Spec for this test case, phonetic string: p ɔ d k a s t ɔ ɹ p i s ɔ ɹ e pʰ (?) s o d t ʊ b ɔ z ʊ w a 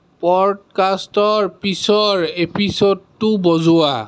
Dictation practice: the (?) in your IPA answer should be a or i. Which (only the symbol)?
i